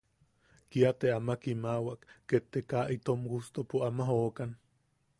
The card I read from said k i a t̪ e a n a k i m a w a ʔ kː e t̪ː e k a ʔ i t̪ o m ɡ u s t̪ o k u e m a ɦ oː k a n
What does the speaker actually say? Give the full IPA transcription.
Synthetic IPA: k i a t̪ e a m a k i m a w a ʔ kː e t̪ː e k a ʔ i t̪ o m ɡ u s t̪ o p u a m a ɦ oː k a n